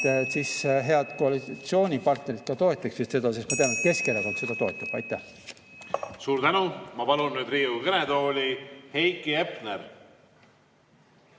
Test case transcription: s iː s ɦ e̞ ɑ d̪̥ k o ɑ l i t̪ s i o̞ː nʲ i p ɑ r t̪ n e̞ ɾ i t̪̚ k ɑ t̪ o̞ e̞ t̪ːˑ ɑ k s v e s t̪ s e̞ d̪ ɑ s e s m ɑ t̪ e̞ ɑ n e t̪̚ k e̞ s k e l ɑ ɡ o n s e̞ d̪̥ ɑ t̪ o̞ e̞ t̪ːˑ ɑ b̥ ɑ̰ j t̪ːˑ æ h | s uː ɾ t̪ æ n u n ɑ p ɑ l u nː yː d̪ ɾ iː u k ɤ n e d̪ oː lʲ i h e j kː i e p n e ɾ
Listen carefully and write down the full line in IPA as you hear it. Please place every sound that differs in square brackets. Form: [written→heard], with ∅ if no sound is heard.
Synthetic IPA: s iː s ɦ e̞ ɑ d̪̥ k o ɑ l i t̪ s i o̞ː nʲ i p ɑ r t̪ n e̞ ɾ i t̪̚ k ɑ t̪ o̞ e̞ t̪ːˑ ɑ k s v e s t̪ s e̞ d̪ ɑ s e s m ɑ t̪ e̞ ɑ n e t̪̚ k e̞ s k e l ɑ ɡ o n s e̞ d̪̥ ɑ t̪ o̞ e̞ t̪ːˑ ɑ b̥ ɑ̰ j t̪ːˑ æ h | s uː ɾ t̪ æ n u [n→m] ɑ p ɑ l u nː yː d̪ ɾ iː u k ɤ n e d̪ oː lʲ i h e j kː i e p n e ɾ